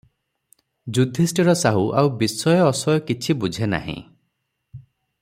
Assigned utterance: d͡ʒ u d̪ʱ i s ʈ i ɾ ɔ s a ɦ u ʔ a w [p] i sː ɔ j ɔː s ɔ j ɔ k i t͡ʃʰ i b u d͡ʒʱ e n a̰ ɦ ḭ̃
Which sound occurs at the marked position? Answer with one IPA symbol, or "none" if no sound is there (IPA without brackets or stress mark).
b